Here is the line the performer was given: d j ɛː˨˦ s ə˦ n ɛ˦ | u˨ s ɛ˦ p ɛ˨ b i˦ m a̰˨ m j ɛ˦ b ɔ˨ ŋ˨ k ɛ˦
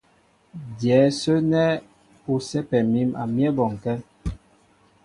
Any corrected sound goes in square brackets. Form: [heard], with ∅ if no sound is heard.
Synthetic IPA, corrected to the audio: d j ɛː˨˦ s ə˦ n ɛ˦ | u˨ s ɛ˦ p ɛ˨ [m] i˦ m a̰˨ m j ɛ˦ b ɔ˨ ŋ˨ k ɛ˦